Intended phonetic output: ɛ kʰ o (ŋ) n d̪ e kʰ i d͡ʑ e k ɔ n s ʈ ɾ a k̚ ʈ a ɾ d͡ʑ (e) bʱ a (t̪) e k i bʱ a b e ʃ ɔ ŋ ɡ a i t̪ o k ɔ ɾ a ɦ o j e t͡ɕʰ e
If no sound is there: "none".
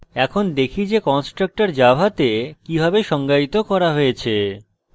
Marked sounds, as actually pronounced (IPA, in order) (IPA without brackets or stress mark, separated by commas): none, a, t̪